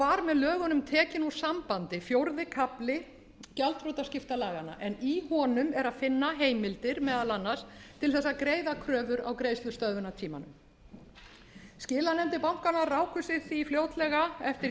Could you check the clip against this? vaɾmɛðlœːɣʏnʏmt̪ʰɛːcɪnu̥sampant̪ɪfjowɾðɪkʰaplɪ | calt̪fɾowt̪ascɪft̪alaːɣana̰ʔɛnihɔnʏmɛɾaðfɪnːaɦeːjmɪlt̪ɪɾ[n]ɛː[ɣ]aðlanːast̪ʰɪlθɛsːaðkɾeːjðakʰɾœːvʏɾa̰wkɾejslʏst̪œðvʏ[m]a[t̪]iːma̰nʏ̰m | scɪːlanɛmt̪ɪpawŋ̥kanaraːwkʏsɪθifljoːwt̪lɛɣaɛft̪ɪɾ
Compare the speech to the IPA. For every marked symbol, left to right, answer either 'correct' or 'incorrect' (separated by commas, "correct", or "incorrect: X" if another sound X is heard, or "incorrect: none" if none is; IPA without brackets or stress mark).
incorrect: m, incorrect: ð, incorrect: n, incorrect: t̪ʰ